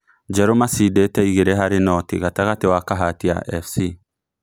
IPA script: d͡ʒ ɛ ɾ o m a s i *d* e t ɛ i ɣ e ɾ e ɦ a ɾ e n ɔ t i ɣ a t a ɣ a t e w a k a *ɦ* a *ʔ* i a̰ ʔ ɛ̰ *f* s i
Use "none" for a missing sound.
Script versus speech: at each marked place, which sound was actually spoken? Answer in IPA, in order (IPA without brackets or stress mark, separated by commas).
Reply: d, ɦ, t, f